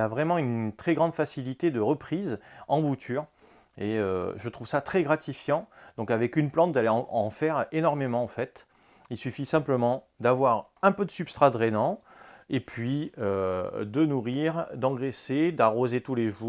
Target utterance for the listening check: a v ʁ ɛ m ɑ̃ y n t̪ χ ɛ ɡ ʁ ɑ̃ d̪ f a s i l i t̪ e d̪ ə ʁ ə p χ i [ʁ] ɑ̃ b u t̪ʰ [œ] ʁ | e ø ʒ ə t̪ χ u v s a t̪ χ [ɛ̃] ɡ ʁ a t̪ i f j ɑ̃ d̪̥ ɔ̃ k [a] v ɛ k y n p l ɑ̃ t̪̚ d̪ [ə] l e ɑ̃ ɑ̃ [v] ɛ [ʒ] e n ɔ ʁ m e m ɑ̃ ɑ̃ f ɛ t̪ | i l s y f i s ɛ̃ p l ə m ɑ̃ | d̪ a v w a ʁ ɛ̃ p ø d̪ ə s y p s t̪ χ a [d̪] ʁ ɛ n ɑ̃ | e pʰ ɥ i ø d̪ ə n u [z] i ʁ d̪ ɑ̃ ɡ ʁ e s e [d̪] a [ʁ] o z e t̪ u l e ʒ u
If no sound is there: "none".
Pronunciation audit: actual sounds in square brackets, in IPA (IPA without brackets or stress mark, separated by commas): z, y, ɛ, a, a, f, ʁ, d̪, ʁ, d̪, ʁ